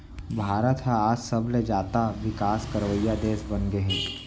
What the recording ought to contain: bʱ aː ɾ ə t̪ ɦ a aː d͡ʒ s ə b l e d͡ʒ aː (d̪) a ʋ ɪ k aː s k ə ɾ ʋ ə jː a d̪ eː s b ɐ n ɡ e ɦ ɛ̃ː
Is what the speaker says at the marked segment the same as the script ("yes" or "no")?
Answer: no